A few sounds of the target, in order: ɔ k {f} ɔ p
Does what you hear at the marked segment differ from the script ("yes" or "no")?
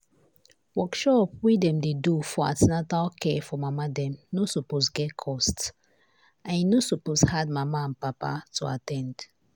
yes